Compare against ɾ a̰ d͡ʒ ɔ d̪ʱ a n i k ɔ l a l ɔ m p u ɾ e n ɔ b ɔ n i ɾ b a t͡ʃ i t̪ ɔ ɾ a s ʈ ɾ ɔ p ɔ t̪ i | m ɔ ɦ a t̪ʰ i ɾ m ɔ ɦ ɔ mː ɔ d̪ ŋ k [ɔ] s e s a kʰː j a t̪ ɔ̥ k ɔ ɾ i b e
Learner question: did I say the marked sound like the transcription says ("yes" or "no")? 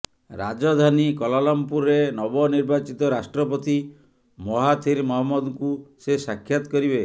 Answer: no